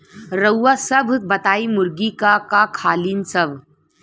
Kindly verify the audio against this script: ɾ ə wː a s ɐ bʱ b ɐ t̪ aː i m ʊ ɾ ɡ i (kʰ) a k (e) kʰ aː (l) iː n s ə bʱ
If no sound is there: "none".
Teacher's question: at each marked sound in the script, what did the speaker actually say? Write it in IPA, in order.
k, a, l

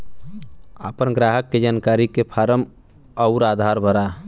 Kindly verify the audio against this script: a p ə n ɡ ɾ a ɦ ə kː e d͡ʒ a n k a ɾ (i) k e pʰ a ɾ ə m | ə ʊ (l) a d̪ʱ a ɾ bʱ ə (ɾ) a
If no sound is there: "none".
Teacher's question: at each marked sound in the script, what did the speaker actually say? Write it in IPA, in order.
i, ɾ, ɾ

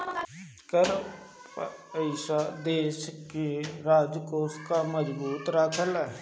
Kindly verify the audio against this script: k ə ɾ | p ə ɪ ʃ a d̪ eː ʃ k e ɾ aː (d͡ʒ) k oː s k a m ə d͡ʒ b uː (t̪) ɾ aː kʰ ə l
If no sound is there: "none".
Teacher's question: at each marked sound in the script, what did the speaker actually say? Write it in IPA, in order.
d͡ʒ, t̪

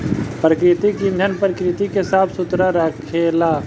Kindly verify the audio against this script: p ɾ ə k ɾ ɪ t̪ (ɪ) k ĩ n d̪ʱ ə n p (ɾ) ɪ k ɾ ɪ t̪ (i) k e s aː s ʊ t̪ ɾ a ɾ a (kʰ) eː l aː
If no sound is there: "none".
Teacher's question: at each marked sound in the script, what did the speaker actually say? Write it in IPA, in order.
i, ɾ, i, kʰ

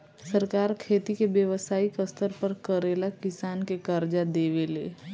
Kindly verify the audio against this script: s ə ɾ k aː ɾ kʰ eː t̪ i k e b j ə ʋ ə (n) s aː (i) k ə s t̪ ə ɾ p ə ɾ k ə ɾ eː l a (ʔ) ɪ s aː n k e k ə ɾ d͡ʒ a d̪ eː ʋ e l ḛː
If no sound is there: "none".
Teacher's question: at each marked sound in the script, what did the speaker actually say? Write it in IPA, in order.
none, i, k

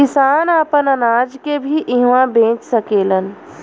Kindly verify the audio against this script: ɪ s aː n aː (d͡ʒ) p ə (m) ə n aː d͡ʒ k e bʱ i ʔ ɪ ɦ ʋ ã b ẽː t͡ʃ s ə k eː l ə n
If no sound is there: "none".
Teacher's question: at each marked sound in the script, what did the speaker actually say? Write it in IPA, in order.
none, n

